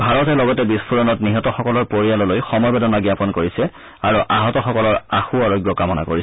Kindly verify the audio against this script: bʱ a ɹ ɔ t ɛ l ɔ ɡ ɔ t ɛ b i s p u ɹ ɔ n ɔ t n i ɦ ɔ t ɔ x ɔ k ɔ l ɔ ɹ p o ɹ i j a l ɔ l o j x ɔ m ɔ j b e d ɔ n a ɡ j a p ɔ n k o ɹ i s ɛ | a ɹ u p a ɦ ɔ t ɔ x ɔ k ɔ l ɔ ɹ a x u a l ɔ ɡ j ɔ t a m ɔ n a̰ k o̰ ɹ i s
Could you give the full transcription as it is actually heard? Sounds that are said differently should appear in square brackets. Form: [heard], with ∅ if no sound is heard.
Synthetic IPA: bʱ a ɹ ɔ t ɛ l ɔ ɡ ɔ t ɛ b i s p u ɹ ɔ n ɔ t n i ɦ ɔ t ɔ x ɔ k ɔ l ɔ ɹ p o ɹ i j a l ɔ l o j x ɔ m ɔ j b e d ɔ n a ɡ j a p ɔ n k o ɹ i s ɛ | a ɹ u [ʔ] a ɦ ɔ t ɔ x ɔ k ɔ l ɔ ɹ a x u a [ɹ] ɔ ɡ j ɔ [k] a m ɔ n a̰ k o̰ ɹ i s